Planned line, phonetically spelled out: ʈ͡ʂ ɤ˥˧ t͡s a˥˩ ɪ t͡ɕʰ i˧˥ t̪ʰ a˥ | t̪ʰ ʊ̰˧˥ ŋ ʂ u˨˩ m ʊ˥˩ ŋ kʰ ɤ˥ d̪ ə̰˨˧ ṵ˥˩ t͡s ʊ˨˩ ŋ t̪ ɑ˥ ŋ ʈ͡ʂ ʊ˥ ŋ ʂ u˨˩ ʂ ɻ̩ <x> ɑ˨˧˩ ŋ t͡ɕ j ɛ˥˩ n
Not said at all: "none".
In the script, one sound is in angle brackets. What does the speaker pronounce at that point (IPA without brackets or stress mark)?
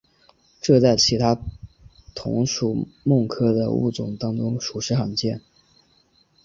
x